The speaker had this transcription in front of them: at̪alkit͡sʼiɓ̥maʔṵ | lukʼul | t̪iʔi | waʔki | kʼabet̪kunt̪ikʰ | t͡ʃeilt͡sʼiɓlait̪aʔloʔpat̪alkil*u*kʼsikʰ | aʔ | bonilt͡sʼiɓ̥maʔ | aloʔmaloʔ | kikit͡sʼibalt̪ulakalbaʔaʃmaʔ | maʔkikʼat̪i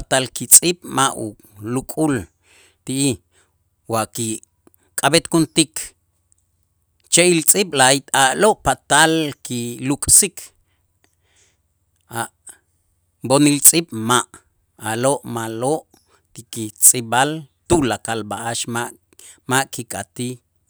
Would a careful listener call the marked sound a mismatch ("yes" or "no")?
no